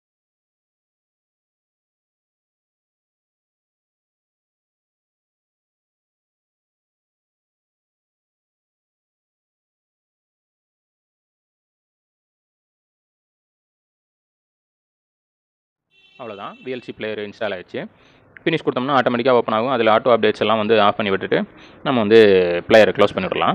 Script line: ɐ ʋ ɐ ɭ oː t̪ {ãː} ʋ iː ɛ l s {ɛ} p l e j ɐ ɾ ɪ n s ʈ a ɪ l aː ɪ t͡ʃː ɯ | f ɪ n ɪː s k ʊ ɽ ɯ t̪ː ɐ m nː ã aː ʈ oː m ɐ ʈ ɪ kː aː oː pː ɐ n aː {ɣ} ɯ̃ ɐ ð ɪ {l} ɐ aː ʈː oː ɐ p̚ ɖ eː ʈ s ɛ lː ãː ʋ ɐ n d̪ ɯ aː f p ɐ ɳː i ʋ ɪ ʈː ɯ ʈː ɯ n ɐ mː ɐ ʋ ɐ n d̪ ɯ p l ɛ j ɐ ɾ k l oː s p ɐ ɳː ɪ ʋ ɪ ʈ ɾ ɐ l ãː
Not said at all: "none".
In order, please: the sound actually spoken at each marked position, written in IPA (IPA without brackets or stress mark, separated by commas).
ãː, i, ɣ, l